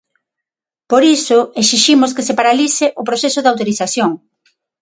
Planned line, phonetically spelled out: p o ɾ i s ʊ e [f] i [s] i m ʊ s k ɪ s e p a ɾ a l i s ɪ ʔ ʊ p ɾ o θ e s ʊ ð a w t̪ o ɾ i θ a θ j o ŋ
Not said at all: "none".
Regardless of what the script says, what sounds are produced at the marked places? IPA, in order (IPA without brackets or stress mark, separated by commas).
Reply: s, ʃ